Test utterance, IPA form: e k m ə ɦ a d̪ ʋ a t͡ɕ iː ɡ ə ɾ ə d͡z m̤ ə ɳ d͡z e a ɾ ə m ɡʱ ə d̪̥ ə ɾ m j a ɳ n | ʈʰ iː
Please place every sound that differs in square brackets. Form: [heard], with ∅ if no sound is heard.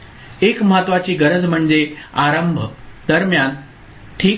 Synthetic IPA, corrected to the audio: e k m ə ɦ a [t̪] ʋ a t͡ɕ iː ɡ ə ɾ ə d͡z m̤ ə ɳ d͡z e a ɾ ə m [bʱ] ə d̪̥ ə ɾ m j a [∅] n | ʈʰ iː